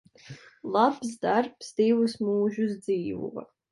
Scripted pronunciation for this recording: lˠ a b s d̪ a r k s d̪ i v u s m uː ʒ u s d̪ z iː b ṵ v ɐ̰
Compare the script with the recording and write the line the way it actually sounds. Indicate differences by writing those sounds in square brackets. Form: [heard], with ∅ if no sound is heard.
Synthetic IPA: lˠ a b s d̪ a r [p] s d̪ i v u s m uː ʒ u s d̪ z iː [v] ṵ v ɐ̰